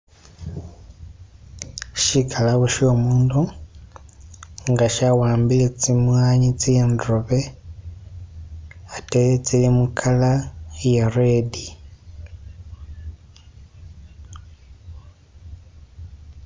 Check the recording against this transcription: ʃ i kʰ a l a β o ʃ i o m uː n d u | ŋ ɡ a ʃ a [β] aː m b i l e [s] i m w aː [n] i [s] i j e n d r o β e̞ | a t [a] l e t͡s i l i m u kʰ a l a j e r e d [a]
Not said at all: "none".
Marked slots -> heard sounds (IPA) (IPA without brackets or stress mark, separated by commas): w, t͡s, ɲ, t͡s, e, i